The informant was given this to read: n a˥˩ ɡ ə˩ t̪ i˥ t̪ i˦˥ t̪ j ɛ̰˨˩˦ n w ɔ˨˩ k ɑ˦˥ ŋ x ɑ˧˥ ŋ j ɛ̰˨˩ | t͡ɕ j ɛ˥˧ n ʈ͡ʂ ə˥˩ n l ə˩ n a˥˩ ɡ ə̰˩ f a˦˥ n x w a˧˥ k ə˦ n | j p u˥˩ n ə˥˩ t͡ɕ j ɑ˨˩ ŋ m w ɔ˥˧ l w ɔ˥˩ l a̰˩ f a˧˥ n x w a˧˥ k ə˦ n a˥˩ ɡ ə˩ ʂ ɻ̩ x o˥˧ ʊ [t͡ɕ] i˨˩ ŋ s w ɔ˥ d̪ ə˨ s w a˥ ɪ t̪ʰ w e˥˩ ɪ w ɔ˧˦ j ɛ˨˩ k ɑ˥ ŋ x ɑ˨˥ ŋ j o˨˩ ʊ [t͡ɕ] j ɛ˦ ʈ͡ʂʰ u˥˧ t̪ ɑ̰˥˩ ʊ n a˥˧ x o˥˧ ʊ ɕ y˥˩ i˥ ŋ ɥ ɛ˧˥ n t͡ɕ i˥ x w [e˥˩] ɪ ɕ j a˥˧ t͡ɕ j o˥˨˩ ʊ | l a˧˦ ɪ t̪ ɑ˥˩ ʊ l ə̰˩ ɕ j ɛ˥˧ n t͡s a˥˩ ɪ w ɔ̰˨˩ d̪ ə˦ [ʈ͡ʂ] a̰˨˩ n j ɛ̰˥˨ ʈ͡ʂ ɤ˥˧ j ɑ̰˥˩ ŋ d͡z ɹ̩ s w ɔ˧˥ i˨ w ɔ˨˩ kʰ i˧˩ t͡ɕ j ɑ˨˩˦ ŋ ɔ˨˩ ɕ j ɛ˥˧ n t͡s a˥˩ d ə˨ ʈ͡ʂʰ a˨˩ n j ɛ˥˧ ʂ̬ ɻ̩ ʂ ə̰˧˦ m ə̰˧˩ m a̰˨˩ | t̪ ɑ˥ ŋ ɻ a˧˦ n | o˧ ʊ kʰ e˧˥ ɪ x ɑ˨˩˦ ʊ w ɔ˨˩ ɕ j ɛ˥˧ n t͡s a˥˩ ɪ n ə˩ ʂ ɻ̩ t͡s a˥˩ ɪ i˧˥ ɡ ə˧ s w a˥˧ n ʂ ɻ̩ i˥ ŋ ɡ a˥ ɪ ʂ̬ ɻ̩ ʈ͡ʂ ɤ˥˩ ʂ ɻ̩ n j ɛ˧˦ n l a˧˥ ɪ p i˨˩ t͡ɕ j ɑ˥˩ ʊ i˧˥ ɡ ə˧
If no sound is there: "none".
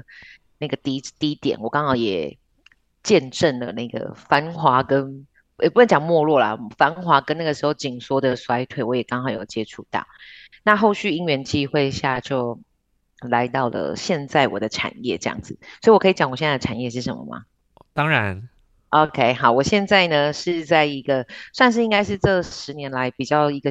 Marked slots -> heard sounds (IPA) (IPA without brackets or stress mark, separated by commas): t͡ɕ, t͡ɕ, e˥˧, ʈ͡ʂʰ